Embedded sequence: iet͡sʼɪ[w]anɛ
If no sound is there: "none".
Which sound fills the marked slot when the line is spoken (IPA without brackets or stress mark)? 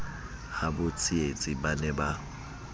b